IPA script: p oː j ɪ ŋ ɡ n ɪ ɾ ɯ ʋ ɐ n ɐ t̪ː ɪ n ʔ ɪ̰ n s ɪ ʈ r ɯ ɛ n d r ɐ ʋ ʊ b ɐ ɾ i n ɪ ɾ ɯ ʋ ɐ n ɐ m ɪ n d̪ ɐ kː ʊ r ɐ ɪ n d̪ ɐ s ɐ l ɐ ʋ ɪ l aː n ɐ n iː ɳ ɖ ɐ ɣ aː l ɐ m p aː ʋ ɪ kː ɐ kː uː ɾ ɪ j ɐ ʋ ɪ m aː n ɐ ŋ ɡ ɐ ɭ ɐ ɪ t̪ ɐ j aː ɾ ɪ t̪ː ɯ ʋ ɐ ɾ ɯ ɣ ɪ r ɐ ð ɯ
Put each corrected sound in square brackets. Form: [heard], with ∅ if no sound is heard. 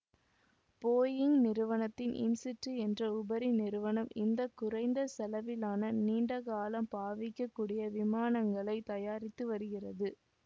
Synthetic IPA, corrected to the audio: p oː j ɪ ŋ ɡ n ɪ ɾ ɯ ʋ ɐ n ɐ t̪ː ɪ n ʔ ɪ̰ n s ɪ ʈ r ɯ ɛ n d r ɐ [∅] ʊ b ɐ ɾ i n ɪ ɾ ɯ ʋ ɐ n ɐ m ɪ n d̪ ɐ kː ʊ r ɐ ɪ n d̪ ɐ s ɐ l ɐ ʋ ɪ l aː n ɐ n iː ɳ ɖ ɐ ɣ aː l ɐ m p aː ʋ ɪ kː ɐ kː uː [ɽ] ɪ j ɐ ʋ ɪ m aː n ɐ ŋ ɡ ɐ ɭ ɐ ɪ t̪ ɐ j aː ɾ ɪ t̪ː ɯ ʋ ɐ ɾ ɯ ɣ ɪ r ɐ ð ɯ